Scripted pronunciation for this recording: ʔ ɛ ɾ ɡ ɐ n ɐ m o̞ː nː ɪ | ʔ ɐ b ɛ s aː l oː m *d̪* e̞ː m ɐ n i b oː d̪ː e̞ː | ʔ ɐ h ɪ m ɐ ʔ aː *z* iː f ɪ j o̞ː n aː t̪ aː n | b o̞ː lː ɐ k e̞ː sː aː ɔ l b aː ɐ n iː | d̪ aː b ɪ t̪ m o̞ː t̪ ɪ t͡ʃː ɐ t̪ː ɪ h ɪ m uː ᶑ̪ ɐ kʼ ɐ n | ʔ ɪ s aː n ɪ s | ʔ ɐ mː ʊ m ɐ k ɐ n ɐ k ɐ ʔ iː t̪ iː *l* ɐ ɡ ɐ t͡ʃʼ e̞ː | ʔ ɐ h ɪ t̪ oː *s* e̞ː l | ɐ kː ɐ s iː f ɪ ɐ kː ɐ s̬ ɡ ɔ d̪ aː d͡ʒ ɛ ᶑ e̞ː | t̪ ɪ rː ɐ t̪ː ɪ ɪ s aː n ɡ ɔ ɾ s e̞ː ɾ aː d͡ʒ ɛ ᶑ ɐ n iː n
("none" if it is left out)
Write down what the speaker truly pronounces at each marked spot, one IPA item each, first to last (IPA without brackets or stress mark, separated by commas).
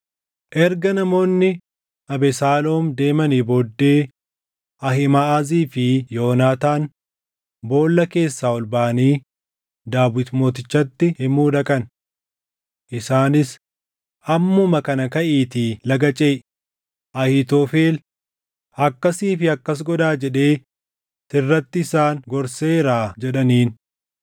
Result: d̪, z, l, f